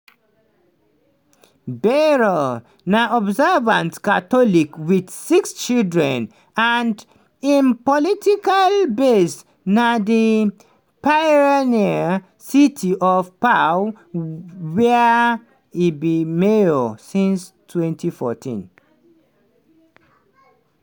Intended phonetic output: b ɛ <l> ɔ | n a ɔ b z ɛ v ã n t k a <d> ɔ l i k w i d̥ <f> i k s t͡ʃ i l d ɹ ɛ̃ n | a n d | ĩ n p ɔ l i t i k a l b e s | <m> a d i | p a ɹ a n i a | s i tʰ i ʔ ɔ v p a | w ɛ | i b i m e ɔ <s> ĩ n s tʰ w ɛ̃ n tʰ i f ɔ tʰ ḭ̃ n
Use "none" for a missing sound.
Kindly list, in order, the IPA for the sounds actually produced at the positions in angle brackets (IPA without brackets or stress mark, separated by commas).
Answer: ɹ, t, s, n, s